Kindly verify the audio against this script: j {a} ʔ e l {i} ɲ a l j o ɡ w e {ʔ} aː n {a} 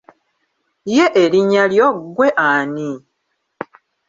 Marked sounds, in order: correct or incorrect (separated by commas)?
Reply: incorrect, correct, correct, incorrect